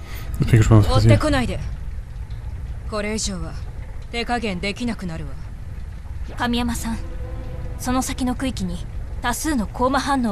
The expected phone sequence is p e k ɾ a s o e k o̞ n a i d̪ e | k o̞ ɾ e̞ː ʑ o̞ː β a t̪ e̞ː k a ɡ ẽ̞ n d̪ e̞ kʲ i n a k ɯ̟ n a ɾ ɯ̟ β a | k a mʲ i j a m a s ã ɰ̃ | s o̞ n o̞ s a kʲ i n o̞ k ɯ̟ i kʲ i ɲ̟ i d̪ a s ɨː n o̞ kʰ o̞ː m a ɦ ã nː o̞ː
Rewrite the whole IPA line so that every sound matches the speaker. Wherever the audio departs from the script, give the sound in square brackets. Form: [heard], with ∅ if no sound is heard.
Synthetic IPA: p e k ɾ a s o e k o̞ n a i d̪ e | k o̞ ɾ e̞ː ʑ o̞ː β a t̪ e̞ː k a ɡ ẽ̞ n d̪ e̞ kʲ i n a k ɯ̟ n a ɾ ɯ̟ β a | k a mʲ i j a m a s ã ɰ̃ | s o̞ n o̞ s a kʲ i n o̞ k ɯ̟ i kʲ i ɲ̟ i [t̪] a s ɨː n o̞ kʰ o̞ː m a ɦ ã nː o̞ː